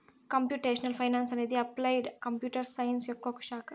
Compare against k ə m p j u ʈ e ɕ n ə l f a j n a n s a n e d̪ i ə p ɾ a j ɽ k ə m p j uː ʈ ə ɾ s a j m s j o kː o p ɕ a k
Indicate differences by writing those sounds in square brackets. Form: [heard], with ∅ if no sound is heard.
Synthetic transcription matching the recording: k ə m p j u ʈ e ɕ n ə l f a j n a n s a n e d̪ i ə p [l] a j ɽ k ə m p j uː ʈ ə ɾ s a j [n] s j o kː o [k] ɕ a k